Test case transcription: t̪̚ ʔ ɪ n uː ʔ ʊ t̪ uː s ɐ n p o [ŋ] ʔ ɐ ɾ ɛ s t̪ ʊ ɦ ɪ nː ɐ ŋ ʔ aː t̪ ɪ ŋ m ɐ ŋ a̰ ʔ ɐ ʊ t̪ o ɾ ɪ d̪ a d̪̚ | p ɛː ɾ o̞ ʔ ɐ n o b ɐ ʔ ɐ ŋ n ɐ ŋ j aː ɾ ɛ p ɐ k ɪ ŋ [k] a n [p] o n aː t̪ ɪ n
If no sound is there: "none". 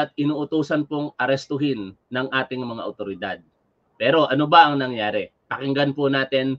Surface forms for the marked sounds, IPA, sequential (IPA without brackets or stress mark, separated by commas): ŋ, ɡ, p